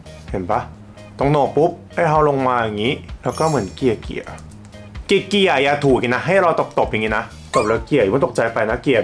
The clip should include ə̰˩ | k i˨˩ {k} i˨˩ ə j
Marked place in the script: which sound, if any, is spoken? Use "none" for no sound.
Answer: k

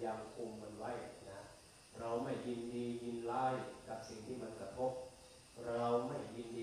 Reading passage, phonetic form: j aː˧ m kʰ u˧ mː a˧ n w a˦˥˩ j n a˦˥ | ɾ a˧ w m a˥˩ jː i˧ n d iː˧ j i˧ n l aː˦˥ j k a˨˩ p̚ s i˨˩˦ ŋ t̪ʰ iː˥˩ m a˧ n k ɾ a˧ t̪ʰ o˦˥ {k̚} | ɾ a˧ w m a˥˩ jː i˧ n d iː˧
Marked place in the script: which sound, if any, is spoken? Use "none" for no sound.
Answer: p̚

